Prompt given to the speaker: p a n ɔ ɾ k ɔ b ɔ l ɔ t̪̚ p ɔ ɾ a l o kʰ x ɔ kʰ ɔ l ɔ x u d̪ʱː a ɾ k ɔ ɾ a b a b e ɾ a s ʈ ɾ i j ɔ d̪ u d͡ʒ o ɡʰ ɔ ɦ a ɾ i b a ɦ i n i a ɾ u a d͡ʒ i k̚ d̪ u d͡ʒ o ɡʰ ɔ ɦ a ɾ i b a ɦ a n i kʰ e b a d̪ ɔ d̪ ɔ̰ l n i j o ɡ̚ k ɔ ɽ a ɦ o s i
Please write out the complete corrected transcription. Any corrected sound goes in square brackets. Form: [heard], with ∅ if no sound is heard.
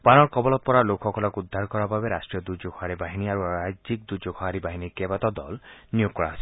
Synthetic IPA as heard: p a n ɔ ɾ k ɔ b ɔ l ɔ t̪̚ p ɔ ɾ a l o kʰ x ɔ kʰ ɔ l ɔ [k] u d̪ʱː a ɾ k ɔ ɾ a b a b e ɾ a s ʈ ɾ i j ɔ d̪ u d͡ʒ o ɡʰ ɔ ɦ a ɾ i b a ɦ i n i a ɾ u a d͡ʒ i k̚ d̪ u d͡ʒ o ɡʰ ɔ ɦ a ɾ i b a ɦ [i] n i [k] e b a [t̪] ɔ d̪ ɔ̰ l n i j o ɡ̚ k ɔ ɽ a ɦ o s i